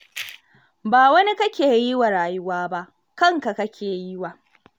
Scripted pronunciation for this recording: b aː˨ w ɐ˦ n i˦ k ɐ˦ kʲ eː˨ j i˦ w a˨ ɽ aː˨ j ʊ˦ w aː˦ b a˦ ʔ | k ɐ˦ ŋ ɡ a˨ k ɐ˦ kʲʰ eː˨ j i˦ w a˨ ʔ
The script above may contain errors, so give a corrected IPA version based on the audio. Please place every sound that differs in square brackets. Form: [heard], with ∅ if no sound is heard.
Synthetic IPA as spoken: b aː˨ w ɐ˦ n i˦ k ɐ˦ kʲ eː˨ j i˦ w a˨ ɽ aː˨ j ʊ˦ w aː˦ b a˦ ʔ | k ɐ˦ ŋ [k] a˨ k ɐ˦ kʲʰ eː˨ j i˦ w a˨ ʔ